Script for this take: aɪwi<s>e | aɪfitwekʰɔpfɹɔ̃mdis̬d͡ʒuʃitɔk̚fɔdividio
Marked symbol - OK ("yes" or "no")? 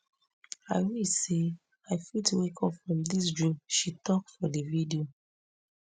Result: yes